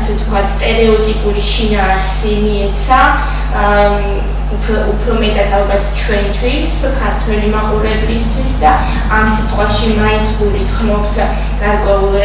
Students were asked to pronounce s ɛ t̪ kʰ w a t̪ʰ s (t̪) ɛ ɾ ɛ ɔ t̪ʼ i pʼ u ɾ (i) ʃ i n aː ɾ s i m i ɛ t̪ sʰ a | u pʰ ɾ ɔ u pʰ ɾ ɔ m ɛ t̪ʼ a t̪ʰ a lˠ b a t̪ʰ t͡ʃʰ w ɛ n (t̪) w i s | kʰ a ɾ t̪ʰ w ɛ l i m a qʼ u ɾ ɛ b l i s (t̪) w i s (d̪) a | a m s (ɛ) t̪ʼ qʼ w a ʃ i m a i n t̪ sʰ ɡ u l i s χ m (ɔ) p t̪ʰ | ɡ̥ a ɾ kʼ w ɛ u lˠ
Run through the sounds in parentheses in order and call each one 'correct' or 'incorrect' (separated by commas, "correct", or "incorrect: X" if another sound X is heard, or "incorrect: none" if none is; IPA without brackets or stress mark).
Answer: incorrect: t̪ʼ, correct, incorrect: t̪ʰ, incorrect: t̪ʰ, correct, incorrect: i, correct